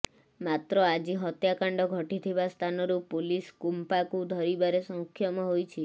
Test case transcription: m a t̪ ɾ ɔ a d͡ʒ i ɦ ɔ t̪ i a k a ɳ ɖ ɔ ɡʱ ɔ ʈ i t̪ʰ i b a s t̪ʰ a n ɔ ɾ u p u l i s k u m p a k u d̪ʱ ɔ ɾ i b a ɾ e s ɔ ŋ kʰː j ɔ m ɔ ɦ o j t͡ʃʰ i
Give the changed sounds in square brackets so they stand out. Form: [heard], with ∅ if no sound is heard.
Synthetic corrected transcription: m a t̪ ɾ ɔ a d͡ʒ i ɦ ɔ t̪ [j] a k a ɳ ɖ ɔ ɡʱ ɔ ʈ i t̪ʰ i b a s t̪ʰ a n ɔ ɾ u p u l i s k u m p a k u d̪ʱ ɔ ɾ i b a ɾ e s ɔ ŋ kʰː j ɔ m ɔ ɦ o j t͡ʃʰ i